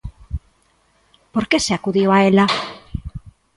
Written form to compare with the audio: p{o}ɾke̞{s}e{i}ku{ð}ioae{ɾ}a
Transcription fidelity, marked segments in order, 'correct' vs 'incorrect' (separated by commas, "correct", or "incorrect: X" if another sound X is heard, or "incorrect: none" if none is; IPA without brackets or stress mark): correct, correct, incorrect: a, correct, incorrect: l